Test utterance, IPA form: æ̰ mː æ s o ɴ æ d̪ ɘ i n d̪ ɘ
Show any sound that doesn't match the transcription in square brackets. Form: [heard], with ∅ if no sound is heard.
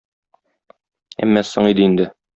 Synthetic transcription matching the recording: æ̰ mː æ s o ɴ [i] d̪ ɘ i n d̪ ɘ